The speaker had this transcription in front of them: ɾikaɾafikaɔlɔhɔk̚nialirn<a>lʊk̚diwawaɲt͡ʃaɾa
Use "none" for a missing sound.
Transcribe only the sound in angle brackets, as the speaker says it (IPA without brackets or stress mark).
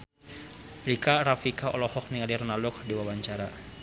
a